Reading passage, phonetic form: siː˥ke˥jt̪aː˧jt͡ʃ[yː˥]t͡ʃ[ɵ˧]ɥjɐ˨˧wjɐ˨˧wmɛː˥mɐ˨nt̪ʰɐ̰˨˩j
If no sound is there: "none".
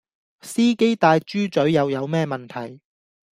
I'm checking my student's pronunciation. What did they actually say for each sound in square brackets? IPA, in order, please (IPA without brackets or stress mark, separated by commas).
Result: yː˥, ɵ˨˥